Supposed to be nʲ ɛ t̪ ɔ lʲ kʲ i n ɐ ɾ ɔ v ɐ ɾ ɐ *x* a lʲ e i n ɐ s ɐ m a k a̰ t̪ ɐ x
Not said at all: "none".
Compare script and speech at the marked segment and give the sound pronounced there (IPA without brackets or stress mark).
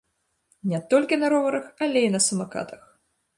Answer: x